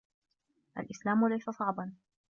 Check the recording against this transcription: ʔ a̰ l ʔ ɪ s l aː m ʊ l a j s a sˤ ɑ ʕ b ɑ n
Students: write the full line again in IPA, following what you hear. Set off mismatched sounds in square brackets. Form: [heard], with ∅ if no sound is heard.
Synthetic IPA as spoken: ʔ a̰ l ʔ ɪ s l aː m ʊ l a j s a sˤ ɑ ʕ b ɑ n